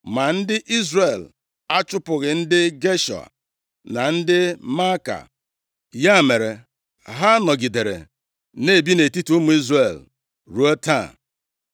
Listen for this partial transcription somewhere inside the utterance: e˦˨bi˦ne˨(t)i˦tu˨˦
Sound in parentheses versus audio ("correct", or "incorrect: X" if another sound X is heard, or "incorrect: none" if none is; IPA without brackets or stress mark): correct